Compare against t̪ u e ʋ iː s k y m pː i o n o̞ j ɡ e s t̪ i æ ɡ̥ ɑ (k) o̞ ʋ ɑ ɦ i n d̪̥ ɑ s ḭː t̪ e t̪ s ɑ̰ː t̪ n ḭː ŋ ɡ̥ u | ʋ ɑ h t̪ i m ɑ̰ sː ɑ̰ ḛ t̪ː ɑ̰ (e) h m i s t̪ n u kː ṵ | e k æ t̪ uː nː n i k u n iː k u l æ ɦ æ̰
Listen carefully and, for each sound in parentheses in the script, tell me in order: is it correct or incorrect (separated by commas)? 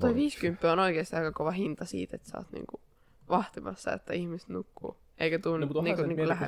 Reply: correct, incorrect